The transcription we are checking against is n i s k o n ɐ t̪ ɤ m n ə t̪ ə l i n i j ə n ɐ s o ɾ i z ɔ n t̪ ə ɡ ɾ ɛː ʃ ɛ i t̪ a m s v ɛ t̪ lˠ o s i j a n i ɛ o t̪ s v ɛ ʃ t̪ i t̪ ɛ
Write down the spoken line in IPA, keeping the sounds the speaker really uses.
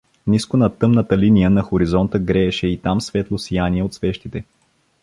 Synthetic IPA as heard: n i s k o n ɐ t̪ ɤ m n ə t̪ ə l i n i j ə n ɐ x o ɾ i z ɔ n t̪ ə ɡ ɾ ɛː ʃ ɛ i t̪ a m s v ɛ t̪ lˠ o s i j a n i ɛ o t̪ s v ɛ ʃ t̪ i t̪ ɛ

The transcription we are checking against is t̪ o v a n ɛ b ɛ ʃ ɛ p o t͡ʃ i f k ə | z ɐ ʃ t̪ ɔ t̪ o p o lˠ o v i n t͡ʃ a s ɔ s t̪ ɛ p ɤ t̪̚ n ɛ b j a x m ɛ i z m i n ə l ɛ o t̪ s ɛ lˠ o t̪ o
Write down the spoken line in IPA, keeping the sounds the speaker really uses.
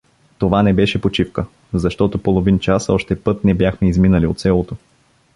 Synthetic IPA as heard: t̪ o v a n ɛ b ɛ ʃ ɛ p o t͡ʃ i f k ə | z ɐ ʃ t̪ ɔ t̪ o p o lˠ o v i n t͡ʃ a s ɔ ʃ t̪ ɛ p ɤ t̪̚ n ɛ b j a x m ɛ i z m i n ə l i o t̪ s ɛ lˠ o t̪ o

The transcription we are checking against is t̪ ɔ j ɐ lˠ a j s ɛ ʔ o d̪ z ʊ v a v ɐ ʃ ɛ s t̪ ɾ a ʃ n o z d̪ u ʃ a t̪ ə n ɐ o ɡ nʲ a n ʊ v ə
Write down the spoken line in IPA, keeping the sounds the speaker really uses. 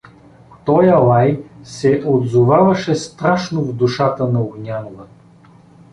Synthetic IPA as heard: t̪ ɔ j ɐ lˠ a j s ɛ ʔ o d̪ z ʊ v a v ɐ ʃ ɛ s t̪ ɾ a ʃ n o v d̪ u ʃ a t̪ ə n ɐ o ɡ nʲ a n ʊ v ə

